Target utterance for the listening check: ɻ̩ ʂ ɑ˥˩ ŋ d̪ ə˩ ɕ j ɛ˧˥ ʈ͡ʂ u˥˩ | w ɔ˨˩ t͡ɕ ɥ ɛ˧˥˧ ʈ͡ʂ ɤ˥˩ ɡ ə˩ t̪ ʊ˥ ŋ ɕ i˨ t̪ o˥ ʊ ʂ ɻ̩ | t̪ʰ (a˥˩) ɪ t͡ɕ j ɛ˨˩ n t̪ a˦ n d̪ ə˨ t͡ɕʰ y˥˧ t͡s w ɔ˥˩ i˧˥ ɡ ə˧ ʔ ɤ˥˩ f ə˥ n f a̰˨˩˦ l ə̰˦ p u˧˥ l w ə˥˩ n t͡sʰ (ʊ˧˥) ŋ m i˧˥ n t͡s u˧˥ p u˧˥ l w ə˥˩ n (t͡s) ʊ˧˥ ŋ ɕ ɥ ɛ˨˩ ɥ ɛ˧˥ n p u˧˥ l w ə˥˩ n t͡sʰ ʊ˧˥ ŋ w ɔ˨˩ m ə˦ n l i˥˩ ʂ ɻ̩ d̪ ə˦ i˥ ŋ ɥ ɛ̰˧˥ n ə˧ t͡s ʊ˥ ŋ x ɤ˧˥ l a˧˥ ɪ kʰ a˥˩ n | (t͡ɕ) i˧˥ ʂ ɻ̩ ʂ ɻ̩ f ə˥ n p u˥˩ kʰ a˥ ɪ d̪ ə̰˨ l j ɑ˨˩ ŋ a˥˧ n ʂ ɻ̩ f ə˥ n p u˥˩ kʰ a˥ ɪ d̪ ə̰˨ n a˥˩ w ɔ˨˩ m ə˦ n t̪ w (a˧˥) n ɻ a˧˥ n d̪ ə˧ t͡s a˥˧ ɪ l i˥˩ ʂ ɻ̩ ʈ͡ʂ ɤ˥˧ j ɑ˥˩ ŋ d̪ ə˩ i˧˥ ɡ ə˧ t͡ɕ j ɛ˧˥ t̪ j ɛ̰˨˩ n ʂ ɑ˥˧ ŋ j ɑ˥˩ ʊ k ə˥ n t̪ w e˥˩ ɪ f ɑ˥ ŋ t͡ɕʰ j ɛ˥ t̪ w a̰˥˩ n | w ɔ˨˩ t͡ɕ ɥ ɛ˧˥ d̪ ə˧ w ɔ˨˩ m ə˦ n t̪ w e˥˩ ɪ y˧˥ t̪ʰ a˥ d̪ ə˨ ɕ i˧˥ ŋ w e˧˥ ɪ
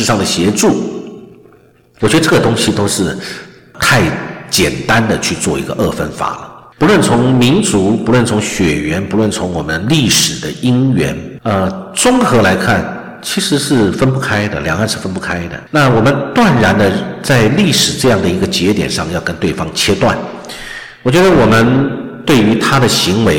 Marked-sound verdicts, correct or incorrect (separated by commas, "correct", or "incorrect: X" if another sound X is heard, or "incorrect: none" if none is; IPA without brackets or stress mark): correct, correct, incorrect: t͡sʰ, incorrect: t͡ɕʰ, incorrect: a˥˩